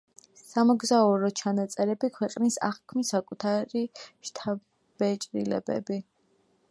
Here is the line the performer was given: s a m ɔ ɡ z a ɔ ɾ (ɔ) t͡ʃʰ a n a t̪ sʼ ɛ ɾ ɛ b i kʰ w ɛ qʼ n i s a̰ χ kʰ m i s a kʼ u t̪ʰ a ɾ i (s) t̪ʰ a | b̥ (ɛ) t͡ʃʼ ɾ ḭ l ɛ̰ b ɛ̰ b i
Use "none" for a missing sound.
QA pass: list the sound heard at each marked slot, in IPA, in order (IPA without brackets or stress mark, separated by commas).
ɔ, ʃ, ɛ